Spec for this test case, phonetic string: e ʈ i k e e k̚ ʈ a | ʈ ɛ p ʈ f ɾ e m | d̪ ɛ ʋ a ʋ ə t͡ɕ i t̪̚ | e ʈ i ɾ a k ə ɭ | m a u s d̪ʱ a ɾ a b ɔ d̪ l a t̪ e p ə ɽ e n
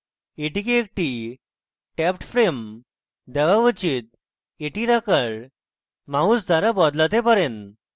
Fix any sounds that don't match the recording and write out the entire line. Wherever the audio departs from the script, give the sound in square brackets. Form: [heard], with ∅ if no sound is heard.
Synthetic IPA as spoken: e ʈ i k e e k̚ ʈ [i] | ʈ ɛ p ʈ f ɾ e m | d̪ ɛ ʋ a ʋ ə t͡ɕ i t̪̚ | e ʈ i ɾ a k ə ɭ | m a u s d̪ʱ a ɾ a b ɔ d̪ l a t̪ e p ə [ɾ] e n